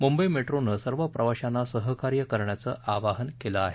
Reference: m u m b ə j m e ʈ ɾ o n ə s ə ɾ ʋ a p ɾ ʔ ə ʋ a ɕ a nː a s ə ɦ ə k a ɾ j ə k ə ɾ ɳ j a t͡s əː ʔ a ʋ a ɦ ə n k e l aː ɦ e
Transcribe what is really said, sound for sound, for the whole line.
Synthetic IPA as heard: m u m b ə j m e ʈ ɾ o n ə s ə ɾ ʋ ə p ɾ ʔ ə ʋ a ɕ a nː a s ə ɦ ə k a ɾ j ə k ə ɾ ɳ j a t͡s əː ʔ a ʋ a ɦ ə n k e l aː ɦ e